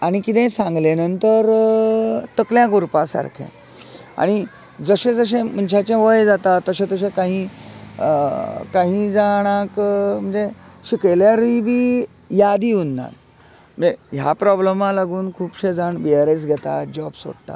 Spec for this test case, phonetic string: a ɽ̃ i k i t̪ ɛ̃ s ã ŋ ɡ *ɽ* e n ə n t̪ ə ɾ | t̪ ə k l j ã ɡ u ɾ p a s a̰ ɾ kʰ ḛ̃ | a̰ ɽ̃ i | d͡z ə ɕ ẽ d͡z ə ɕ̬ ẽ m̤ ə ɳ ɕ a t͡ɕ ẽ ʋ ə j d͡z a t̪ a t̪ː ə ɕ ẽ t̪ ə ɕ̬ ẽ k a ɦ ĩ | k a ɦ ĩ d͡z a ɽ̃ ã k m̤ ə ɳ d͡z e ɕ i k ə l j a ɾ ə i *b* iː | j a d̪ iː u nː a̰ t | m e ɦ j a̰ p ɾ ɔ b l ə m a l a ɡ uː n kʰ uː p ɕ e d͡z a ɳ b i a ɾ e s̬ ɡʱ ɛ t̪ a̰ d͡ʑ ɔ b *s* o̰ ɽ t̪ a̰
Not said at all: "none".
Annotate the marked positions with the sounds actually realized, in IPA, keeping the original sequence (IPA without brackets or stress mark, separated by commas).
l, b, s